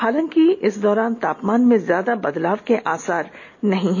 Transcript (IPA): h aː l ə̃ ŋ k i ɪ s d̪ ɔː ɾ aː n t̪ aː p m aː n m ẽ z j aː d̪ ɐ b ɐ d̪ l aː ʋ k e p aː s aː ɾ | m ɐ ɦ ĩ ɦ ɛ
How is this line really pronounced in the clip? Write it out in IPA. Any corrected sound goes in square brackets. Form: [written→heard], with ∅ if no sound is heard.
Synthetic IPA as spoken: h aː l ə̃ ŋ k i ɪ s d̪ ɔː ɾ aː n t̪ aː p m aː n m ẽ z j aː d̪ [ɐ→a] b ɐ d̪ l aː ʋ k e [p→ʔ] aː s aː ɾ | [m→n] ɐ ɦ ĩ ɦ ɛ